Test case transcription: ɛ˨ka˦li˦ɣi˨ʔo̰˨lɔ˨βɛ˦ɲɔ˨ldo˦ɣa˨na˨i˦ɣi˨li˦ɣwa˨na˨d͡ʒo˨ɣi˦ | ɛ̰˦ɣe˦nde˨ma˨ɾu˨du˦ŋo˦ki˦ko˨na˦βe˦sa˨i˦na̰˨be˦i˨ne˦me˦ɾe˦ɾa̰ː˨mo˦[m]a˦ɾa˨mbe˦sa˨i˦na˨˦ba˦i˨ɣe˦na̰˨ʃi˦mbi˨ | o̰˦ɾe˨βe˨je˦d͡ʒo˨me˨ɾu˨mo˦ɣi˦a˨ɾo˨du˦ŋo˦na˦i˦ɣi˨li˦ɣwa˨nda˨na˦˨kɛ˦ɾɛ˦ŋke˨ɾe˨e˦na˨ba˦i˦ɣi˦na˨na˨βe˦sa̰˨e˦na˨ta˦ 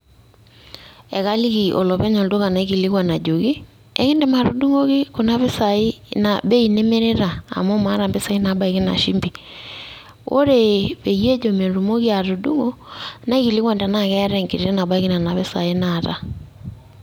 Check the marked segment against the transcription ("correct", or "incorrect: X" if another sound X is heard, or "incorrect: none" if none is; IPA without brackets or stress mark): correct